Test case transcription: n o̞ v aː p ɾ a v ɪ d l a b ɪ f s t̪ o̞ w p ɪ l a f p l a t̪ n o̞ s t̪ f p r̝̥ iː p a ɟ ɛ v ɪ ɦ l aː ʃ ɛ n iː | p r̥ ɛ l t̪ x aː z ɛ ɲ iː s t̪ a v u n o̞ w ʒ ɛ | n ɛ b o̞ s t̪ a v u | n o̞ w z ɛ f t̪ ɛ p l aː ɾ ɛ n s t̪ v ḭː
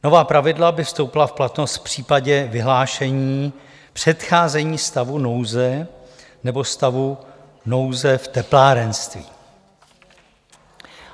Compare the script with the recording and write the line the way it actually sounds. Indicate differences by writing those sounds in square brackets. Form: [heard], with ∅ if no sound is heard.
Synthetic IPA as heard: n o̞ v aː p ɾ a v ɪ d l a b ɪ f s t̪ o̞ w p ɪ l a f p l a t̪ n o̞ s t̪ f p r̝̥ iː p a ɟ ɛ v ɪ ɦ l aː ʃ ɛ [ɲ] iː | p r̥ ɛ [∅] t̪ x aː z ɛ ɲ iː s t̪ a v u n o̞ w [z] ɛ | n ɛ b o̞ s t̪ a v u | n o̞ w z ɛ f t̪ ɛ p l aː ɾ ɛ n s t̪ v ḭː

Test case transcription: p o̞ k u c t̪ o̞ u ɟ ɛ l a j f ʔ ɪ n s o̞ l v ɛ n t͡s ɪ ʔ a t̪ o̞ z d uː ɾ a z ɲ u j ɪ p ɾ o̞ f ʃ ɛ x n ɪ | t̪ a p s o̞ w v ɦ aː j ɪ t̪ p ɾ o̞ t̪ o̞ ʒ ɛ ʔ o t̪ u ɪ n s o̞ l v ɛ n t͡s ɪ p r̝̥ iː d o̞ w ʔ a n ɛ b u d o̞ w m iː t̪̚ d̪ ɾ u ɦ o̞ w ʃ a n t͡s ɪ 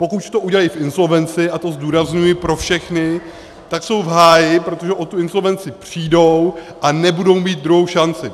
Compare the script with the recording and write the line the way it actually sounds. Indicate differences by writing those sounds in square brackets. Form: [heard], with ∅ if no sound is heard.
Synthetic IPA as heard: p o̞ k u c t̪ o̞ u ɟ ɛ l a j f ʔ ɪ n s o̞ l v ɛ n t͡s ɪ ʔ a t̪ o̞ z d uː ɾ a z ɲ u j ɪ p ɾ o̞ f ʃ ɛ x n ɪ | t̪ a [k] s o̞ w v ɦ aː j ɪ [∅] p ɾ o̞ t̪ o̞ ʒ ɛ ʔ o t̪ u ɪ n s o̞ l v ɛ n t͡s ɪ p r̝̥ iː d o̞ w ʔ a n ɛ b u d o̞ w m iː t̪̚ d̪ ɾ u ɦ o̞ w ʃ a n t͡s ɪ

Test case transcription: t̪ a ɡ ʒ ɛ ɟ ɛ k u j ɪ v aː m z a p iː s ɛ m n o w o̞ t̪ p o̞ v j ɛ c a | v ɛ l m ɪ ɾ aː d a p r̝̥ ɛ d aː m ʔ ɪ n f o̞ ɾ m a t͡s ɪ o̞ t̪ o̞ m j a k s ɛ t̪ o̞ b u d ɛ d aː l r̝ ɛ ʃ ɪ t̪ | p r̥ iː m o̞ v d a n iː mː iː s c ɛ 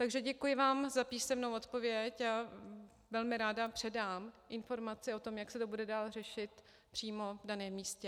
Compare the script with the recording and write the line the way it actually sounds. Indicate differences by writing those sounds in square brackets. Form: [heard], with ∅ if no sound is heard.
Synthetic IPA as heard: t̪ a ɡ ʒ ɛ ɟ ɛ k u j ɪ v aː m z a p iː s ɛ m n o w o̞ t̪ p o̞ v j ɛ c a | v ɛ l m ɪ ɾ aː d a p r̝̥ ɛ d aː m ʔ ɪ n f o̞ ɾ m a t͡s ɪ o̞ t̪ o̞ m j a k s ɛ t̪ o̞ b u d ɛ d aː l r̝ ɛ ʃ ɪ t̪ | p r̥ iː m o̞ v d a n [ɛː] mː iː s c ɛ

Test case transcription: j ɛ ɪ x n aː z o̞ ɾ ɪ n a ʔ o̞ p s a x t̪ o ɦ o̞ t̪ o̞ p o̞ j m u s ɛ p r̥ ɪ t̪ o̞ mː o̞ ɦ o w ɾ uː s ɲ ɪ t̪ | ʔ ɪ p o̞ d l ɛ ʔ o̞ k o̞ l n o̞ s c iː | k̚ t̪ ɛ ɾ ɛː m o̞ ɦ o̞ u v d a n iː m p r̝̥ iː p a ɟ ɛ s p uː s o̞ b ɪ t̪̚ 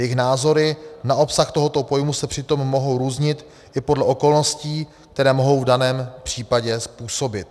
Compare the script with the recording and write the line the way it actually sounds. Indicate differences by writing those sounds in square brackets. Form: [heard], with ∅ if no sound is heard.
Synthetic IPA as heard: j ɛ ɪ x n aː z o̞ ɾ ɪ n a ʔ o̞ p s a x t̪ o ɦ o̞ t̪ o̞ p o̞ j m u s ɛ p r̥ ɪ t̪ o̞ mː o̞ ɦ o w ɾ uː [z] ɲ ɪ t̪ | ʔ ɪ p o̞ d l ɛ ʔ o̞ k o̞ l n o̞ s c iː | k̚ t̪ ɛ ɾ ɛː m o̞ ɦ o̞ [w] v d a n [ɛː] m p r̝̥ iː p a ɟ ɛ s p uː s o̞ b ɪ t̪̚

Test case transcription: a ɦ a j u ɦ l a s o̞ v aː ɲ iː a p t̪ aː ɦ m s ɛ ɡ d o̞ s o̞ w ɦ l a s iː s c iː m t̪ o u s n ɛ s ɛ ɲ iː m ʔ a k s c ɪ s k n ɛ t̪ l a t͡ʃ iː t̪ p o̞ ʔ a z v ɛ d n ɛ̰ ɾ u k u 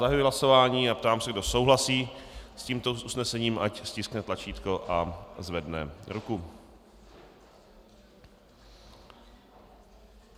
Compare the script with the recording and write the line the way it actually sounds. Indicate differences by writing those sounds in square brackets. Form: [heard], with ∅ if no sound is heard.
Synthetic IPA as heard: a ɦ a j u ɦ l a s o̞ v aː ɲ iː a p t̪ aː [∅] m s ɛ ɡ d o̞ s o̞ w ɦ l a s iː s c iː m t̪ o u s n ɛ s ɛ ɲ iː m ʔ a [c] s c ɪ s k n ɛ t̪ l a t͡ʃ iː t̪ [k] o̞ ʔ a z v ɛ d n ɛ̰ ɾ u k u

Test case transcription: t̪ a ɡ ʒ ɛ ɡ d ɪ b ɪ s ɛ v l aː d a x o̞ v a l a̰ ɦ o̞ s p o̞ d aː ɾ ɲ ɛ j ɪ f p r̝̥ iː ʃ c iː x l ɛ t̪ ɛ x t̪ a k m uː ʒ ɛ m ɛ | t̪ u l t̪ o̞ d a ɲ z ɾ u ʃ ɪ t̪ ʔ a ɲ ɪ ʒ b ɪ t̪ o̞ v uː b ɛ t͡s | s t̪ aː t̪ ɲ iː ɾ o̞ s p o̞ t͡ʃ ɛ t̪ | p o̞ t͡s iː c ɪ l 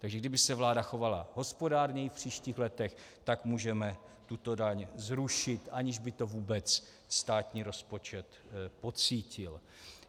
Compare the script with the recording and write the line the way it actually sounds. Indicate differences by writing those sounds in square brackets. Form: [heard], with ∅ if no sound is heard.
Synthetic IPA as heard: t̪ a ɡ ʒ ɛ ɡ d ɪ b ɪ s ɛ v l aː d a x o̞ v a l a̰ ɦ o̞ s p o̞ d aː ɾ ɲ ɛ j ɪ f p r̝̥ iː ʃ c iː x l ɛ t̪ ɛ x t̪ a k m uː ʒ ɛ m ɛ | t̪ u [∅] t̪ o̞ d a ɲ z ɾ u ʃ ɪ t̪ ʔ a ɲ ɪ ʒ b ɪ t̪ o̞ v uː b ɛ t͡s | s t̪ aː t̪ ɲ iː ɾ o̞ s p o̞ t͡ʃ ɛ t̪ | p o̞ t͡s iː c ɪ l

